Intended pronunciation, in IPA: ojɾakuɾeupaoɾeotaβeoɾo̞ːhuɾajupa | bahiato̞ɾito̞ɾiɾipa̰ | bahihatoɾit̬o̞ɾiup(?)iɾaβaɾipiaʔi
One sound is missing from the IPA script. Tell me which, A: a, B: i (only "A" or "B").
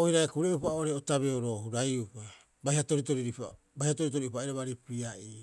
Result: A